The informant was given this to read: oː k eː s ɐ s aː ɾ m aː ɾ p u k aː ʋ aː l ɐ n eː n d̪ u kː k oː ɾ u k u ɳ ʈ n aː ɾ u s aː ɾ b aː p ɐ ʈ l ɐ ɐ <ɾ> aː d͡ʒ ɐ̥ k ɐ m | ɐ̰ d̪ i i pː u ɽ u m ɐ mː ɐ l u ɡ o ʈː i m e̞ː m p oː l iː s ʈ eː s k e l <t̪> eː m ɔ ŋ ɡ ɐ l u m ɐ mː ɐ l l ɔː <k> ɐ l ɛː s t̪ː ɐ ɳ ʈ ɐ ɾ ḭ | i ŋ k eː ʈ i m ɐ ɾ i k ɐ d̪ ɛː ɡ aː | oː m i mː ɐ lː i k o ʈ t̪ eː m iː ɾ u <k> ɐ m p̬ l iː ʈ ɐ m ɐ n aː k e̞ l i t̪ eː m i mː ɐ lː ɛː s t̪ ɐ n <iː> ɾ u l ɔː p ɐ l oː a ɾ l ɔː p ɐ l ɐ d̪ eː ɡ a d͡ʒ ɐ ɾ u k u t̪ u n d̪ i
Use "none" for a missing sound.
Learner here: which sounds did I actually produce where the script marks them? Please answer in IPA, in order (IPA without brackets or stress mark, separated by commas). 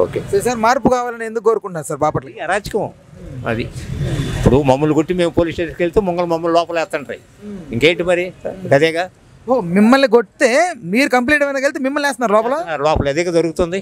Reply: ɾ, t̪, p, k, aː